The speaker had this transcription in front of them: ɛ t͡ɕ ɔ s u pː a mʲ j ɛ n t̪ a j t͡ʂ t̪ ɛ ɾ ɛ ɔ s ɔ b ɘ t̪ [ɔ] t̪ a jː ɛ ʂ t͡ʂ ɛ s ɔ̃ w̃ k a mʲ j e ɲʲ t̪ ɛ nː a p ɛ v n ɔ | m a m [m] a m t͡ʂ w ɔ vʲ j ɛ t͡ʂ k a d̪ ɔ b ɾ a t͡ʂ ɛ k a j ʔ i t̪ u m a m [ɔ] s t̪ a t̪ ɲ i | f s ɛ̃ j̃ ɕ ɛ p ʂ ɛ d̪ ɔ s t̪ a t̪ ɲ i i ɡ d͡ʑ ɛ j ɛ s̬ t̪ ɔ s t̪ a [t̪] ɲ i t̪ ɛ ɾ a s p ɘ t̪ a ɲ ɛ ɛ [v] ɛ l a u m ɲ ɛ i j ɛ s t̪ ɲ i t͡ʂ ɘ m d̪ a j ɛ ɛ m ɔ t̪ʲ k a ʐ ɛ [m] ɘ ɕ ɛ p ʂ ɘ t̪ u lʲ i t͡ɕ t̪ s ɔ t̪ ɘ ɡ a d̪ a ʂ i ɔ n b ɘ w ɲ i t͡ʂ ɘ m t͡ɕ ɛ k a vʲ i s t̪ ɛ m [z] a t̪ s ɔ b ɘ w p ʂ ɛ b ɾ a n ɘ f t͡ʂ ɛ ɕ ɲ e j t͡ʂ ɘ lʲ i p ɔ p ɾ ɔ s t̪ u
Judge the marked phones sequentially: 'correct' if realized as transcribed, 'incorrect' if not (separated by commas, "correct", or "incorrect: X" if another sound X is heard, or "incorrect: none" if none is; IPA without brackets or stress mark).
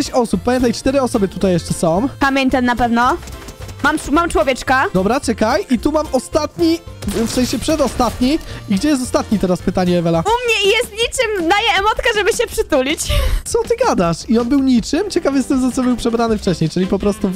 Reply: incorrect: u, correct, correct, correct, correct, incorrect: b, correct